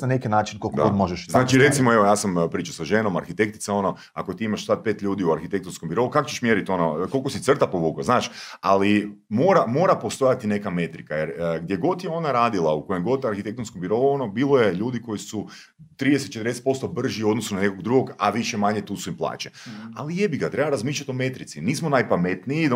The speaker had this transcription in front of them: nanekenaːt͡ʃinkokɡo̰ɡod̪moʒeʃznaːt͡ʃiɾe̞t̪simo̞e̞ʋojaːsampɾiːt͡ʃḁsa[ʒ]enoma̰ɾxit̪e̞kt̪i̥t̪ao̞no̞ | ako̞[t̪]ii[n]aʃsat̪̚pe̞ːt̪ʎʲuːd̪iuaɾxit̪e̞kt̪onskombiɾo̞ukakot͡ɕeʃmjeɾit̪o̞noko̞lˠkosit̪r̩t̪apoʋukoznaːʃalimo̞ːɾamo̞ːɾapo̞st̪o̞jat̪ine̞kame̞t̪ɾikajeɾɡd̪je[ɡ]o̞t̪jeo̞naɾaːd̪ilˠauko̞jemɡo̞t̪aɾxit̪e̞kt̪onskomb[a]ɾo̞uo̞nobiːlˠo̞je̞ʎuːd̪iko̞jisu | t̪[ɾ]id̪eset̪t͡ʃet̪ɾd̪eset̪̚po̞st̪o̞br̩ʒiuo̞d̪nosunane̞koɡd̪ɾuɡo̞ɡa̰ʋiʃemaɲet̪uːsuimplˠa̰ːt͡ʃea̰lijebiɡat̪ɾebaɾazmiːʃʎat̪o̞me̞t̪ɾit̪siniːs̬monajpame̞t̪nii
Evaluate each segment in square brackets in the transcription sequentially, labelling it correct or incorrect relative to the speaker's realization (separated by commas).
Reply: correct, correct, incorrect, correct, incorrect, correct